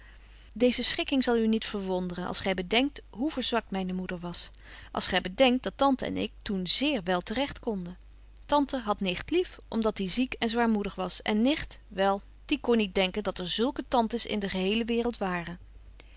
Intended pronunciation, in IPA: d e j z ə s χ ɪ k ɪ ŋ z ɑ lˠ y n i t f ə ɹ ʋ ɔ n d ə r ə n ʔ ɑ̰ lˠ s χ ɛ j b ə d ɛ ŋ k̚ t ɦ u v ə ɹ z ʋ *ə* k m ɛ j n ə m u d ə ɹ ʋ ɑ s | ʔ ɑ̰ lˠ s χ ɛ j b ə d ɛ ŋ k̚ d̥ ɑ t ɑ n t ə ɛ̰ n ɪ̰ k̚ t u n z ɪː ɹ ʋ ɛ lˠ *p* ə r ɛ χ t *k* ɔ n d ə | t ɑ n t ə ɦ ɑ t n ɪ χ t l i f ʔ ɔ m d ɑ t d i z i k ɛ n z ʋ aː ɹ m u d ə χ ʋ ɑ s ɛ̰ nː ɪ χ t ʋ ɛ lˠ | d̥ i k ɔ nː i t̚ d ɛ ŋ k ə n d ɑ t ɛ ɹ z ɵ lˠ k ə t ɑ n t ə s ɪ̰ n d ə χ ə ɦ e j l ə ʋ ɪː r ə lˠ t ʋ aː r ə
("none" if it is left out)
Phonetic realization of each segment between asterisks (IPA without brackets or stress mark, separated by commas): ɑ, t, k